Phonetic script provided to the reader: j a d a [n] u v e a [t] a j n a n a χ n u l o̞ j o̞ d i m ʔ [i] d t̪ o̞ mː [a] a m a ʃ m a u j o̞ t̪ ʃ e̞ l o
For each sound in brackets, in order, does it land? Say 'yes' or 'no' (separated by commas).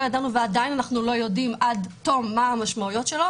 yes, no, no, yes